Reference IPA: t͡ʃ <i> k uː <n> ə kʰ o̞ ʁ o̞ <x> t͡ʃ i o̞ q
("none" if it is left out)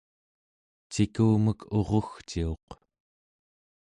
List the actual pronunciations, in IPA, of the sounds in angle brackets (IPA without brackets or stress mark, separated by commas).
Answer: i, m, x